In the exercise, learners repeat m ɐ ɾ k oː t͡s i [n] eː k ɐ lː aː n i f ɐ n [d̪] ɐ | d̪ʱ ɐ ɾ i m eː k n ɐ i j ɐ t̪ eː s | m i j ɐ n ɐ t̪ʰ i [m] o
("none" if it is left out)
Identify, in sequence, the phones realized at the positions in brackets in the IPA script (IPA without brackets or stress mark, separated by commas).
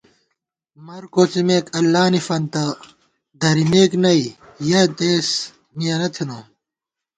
m, t̪, n